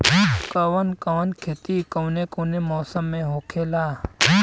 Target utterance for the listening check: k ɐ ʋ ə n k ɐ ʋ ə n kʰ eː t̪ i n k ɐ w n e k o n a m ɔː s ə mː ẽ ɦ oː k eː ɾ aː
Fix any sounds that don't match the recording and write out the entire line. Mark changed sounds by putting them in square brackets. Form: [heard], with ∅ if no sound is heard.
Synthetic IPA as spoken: k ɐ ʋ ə n k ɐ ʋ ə n kʰ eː t̪ i [∅] k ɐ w n e k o n [e] m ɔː s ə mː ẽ ɦ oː [kʰ] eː [l] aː